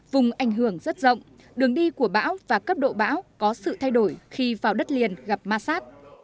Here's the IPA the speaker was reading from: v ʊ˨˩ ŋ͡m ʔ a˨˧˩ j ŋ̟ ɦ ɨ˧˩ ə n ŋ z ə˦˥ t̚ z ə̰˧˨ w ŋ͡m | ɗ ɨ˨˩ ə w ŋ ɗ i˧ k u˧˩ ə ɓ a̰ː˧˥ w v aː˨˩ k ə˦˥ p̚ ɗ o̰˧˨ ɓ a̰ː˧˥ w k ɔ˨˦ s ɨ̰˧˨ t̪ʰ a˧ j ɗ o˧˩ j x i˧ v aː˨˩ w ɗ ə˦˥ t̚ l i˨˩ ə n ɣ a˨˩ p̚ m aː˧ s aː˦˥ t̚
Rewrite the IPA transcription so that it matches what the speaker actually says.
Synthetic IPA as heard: v ʊ˨˩ ŋ͡m ʔ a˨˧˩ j ŋ̟ ɦ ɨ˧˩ ə ŋ z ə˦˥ t̚ z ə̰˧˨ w ŋ͡m | ɗ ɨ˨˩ ə ŋ ɗ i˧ k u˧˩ ə ɓ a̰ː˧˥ w v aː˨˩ k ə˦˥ p̚ ɗ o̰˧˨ ɓ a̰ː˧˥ w k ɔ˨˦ s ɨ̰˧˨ t̪ʰ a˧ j ɗ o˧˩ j x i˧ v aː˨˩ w ɗ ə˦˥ t̚ l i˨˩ ə n ɣ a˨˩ p̚ m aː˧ s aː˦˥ t̚